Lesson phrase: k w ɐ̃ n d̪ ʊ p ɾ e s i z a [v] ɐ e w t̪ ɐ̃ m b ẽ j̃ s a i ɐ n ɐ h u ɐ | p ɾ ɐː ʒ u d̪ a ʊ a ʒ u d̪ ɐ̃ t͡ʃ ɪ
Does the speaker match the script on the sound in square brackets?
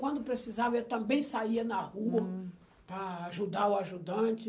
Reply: yes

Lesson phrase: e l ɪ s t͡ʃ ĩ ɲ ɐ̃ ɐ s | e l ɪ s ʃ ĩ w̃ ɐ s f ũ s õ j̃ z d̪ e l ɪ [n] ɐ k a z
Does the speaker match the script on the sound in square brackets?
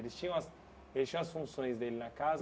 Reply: yes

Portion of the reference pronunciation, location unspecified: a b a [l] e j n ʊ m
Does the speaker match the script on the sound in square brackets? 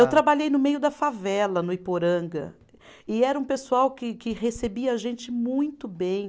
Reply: no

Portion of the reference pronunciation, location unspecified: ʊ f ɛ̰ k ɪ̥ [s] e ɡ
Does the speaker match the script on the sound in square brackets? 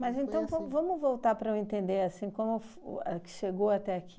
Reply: no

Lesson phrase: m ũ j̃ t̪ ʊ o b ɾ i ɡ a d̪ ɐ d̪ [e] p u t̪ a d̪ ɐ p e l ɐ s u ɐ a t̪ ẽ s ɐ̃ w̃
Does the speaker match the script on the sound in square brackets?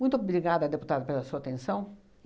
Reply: yes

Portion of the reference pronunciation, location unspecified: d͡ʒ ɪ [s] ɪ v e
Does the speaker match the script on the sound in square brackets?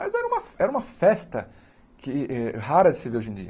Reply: yes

